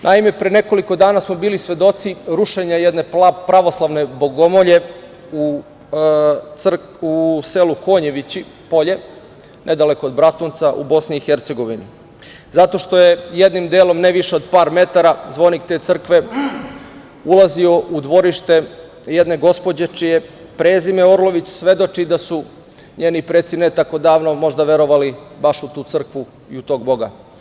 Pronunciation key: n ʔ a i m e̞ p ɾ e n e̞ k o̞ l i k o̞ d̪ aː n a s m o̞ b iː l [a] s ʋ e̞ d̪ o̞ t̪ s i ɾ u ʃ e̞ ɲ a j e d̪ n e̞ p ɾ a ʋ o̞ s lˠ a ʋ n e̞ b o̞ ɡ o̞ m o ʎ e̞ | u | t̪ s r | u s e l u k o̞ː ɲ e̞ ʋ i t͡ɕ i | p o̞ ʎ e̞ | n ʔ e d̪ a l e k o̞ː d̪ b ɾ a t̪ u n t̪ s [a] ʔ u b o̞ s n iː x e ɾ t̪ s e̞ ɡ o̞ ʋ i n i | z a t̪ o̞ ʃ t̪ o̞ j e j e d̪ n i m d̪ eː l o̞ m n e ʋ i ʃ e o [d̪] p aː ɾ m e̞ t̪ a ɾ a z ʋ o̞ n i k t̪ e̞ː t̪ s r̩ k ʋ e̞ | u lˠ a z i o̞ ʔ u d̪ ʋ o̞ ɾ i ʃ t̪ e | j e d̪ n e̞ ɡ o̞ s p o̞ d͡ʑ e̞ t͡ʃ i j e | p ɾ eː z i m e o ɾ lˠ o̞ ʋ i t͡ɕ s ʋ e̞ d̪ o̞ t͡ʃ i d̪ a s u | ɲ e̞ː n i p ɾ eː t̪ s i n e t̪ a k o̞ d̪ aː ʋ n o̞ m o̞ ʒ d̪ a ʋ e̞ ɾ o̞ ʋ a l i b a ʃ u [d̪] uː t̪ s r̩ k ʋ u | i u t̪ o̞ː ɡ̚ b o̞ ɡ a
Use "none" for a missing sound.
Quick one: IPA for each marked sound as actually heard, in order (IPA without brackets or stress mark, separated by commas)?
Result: i, a, d̪, t̪